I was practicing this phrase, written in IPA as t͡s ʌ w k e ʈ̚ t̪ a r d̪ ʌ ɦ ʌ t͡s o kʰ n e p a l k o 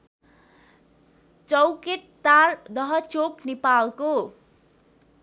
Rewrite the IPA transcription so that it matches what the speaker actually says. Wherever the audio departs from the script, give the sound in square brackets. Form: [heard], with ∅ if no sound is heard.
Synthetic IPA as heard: t͡s ʌ w k e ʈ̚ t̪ a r d̪ ʌ ɦ ʌ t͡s o [k] n e p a l k o